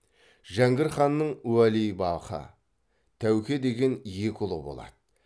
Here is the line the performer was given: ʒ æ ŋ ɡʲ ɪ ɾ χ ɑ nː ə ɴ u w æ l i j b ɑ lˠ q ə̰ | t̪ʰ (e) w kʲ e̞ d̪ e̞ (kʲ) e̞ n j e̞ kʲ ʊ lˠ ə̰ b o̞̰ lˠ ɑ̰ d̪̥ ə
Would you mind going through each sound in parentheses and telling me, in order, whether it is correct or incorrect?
incorrect: æ, incorrect: ɡʲ

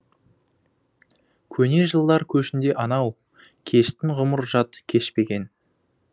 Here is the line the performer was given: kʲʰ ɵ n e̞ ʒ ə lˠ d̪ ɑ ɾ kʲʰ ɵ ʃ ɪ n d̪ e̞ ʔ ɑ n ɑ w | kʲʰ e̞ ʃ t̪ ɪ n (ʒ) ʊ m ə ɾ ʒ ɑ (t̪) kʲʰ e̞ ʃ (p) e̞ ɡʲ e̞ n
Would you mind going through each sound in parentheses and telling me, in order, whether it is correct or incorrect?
incorrect: ʁ, correct, correct

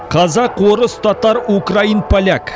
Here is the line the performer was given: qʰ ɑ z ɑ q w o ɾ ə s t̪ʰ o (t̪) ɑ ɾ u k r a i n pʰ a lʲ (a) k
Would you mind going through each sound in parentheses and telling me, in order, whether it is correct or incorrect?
correct, correct

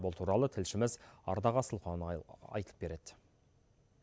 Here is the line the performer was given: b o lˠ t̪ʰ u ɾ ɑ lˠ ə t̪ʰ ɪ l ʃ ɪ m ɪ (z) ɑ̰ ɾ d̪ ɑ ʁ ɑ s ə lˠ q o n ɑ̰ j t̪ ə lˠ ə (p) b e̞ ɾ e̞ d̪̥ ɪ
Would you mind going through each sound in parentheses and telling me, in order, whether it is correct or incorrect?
correct, correct

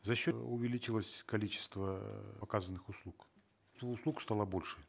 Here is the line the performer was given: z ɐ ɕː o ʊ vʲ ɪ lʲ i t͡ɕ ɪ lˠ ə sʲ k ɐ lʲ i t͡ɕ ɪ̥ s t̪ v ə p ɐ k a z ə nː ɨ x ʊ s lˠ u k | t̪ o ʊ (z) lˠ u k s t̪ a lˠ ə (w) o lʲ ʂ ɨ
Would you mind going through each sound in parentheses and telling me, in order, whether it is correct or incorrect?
incorrect: s, incorrect: b

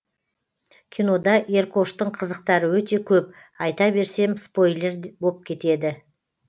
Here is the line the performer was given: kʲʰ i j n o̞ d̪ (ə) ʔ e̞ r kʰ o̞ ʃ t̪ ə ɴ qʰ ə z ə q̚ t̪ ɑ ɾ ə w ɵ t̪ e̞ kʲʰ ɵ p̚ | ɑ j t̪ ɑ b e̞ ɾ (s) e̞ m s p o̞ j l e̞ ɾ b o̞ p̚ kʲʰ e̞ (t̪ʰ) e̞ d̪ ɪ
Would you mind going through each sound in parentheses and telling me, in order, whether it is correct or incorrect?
incorrect: ɑ, correct, incorrect: t̪

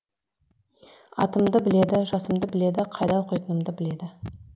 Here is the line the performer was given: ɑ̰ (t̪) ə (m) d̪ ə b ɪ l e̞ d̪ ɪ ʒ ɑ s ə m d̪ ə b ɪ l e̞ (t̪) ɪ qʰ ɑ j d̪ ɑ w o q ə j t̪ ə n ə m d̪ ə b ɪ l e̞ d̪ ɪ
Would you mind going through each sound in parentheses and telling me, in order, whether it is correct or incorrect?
correct, correct, incorrect: d̪

